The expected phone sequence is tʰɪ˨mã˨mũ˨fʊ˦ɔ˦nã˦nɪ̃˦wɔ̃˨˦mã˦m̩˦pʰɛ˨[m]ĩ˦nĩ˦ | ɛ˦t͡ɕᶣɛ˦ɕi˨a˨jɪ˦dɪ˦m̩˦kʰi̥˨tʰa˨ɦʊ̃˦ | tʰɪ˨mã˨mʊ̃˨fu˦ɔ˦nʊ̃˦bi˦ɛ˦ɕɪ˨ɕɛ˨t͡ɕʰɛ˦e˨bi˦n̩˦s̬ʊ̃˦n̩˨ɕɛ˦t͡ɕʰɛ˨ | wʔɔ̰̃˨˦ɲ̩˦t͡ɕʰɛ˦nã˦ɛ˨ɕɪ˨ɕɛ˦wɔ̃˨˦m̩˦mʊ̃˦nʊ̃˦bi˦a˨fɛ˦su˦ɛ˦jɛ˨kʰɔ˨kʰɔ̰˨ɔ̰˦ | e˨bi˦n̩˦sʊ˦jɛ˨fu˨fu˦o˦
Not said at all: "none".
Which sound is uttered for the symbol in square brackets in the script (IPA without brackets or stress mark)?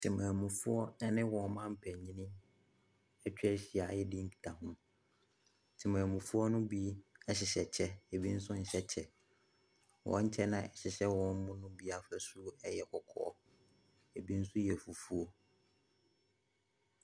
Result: ɲ